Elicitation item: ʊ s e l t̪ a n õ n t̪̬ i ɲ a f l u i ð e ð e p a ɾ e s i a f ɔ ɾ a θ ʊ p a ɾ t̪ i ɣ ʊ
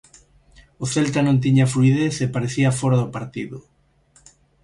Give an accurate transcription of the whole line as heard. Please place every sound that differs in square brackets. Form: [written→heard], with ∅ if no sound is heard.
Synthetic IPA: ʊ [s→θ] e l t̪ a n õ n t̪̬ i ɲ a f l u i ð e [ð→θ] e p a ɾ e [s→θ] i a f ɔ ɾ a [θ→ð] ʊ p a ɾ t̪ i [ɣ→ð] ʊ